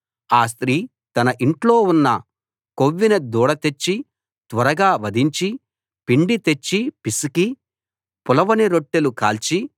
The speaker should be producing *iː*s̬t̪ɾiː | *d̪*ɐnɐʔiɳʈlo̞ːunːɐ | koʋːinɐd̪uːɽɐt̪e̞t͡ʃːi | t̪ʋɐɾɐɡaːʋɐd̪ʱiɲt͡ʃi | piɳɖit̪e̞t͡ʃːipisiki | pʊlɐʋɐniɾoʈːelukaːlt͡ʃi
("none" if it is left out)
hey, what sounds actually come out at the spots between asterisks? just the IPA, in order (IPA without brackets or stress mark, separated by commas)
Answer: aː, t̪